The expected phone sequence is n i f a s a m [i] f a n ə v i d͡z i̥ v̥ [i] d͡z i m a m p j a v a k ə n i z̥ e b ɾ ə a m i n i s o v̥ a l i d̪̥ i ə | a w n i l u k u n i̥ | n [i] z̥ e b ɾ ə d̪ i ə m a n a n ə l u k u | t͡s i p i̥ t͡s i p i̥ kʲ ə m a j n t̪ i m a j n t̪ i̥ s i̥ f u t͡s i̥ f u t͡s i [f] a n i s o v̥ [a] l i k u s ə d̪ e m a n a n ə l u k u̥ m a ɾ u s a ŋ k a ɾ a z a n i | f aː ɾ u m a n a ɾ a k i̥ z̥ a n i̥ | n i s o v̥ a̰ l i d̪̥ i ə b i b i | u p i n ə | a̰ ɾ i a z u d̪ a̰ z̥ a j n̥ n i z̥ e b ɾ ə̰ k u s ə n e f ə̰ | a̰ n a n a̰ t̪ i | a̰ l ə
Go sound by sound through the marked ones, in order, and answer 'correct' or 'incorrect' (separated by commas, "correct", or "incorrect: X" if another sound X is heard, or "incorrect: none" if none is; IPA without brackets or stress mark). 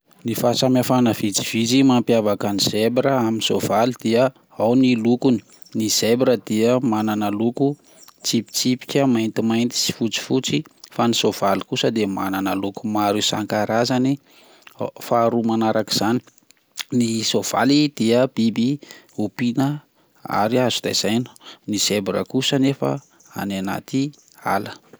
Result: incorrect: a, correct, correct, correct, correct